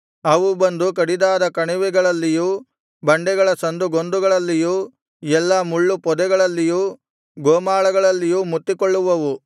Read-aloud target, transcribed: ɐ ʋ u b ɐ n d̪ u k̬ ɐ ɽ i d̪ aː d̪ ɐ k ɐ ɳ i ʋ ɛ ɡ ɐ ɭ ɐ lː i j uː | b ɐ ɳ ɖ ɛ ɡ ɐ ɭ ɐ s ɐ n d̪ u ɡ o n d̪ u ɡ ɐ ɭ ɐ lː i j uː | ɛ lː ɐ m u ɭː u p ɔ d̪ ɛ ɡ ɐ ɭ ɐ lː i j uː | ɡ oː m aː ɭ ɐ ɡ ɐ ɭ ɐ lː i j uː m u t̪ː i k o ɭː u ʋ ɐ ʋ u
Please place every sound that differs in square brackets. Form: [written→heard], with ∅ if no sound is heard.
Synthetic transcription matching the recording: ɐ ʋ u b ɐ n d̪ u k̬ ɐ ɽ i d̪ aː d̪ ɐ k ɐ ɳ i ʋ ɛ ɡ ɐ ɭ ɐ lː i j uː | b ɐ ɳ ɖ ɛ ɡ ɐ ɭ ɐ s ɐ n d̪ u ɡ o n d̪ u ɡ ɐ ɭ ɐ lː i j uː | ɛ lː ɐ m u ɭː u p ɔ d̪ ɛ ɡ ɐ ɭ ɐ lː i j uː | ɡ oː m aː ɭ ɐ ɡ ɐ ɭ ɐ lː i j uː m u t̪ː i k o ɭː u ʋ ɐ ʋ u